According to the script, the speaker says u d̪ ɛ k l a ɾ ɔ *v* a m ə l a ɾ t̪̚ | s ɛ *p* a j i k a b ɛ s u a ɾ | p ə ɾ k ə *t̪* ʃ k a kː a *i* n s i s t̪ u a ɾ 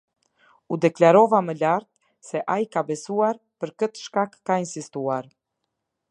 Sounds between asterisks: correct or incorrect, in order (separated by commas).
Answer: correct, incorrect, correct, correct